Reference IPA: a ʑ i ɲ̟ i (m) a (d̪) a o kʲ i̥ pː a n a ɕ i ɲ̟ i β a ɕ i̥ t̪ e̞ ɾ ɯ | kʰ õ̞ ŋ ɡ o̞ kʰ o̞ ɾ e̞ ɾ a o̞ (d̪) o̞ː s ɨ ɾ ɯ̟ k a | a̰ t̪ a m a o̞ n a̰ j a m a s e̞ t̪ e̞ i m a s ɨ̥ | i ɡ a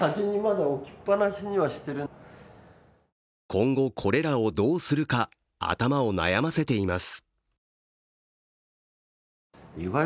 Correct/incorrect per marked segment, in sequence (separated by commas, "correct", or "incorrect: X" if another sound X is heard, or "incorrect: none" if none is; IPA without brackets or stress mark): correct, correct, correct